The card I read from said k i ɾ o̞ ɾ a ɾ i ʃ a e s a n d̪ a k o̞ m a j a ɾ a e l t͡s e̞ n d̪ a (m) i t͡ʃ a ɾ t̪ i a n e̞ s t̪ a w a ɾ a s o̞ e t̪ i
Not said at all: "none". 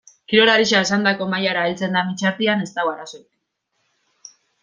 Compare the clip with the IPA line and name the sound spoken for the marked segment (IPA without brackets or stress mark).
m